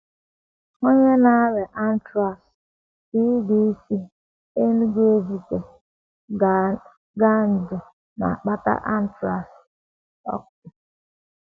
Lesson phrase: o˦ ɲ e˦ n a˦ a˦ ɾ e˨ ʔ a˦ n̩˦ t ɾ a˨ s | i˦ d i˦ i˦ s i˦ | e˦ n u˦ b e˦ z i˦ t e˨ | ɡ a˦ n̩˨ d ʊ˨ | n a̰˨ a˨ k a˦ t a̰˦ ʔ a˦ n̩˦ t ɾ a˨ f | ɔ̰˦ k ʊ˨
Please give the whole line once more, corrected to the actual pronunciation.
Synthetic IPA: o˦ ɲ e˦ n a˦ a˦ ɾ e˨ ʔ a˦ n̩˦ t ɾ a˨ s | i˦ d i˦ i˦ s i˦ | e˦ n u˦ ɡ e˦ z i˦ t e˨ | ɡ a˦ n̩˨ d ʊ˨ | n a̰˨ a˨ k͡p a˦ t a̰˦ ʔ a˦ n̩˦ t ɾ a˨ s | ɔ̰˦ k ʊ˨